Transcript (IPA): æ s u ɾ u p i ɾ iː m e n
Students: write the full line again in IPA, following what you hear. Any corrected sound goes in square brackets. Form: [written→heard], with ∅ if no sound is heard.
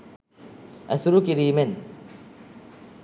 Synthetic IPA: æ s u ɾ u [p→k] i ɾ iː m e n